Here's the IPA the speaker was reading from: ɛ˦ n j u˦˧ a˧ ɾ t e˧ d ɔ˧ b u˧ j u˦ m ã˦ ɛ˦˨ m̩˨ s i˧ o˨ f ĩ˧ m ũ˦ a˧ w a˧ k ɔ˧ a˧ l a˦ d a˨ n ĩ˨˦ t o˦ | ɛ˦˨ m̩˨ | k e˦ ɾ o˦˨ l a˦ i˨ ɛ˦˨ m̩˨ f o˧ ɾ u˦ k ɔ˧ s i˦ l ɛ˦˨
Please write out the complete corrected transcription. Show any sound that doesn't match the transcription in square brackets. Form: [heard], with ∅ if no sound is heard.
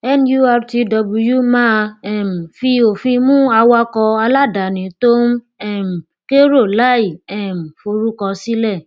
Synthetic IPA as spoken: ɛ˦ n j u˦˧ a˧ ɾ t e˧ d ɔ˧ b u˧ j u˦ m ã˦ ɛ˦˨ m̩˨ [f] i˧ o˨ f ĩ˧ m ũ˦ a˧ w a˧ k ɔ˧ a˧ l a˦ d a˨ n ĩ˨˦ t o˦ | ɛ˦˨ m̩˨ | k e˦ ɾ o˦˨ l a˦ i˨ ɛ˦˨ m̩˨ f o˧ ɾ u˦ k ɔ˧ s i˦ l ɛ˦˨